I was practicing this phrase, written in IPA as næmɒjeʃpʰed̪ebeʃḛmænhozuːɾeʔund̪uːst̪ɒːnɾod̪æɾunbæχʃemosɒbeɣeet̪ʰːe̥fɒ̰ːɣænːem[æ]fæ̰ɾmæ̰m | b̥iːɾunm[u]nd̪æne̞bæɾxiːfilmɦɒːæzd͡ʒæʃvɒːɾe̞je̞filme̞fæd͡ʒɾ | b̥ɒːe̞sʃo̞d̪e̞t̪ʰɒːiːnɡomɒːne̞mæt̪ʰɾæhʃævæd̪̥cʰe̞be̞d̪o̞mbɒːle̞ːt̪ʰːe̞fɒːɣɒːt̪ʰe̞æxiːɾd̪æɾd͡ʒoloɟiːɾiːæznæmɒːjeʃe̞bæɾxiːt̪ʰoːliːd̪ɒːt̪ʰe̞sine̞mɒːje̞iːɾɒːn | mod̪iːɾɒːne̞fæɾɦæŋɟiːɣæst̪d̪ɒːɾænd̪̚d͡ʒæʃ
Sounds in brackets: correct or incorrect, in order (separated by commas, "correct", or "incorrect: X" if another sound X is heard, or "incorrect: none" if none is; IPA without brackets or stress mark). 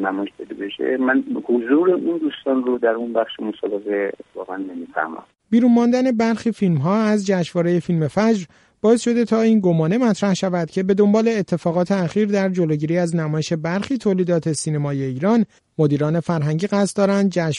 incorrect: i, incorrect: ɒ